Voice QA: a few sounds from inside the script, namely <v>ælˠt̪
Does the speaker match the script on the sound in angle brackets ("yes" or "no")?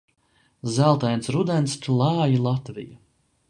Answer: no